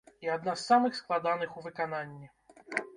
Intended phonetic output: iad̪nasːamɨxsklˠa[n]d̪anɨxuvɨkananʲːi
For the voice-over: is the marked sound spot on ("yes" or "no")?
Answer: no